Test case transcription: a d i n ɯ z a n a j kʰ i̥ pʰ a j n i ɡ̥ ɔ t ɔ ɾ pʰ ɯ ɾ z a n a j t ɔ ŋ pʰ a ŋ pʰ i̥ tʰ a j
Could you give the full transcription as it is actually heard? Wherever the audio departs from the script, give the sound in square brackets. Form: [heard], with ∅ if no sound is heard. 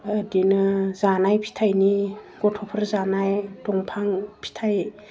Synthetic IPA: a d i n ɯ z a n a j [pʰ] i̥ [tʰ] a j n i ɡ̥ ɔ [tʰ] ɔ [∅] pʰ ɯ ɾ z a n a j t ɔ ŋ pʰ a ŋ pʰ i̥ tʰ a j